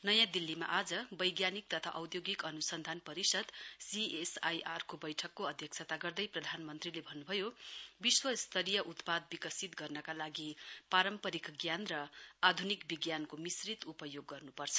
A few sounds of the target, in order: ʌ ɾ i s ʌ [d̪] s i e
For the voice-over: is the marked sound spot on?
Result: yes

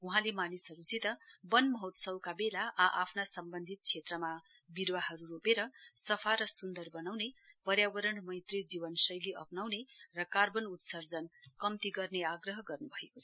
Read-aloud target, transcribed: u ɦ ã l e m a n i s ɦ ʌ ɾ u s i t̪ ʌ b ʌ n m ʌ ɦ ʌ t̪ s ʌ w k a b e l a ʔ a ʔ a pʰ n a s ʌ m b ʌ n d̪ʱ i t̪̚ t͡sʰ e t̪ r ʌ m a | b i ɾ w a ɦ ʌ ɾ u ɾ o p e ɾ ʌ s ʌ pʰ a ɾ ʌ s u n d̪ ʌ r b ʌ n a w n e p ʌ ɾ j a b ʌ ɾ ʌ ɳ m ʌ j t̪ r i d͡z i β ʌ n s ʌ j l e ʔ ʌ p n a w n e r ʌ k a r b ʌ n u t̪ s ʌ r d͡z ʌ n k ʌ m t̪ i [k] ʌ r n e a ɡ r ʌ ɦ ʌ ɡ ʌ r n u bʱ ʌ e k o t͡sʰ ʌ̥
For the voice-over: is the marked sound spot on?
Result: no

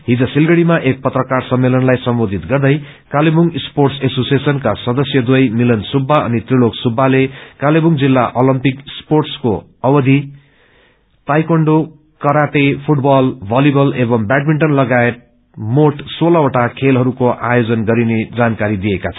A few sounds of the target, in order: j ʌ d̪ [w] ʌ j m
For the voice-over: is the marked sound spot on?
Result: yes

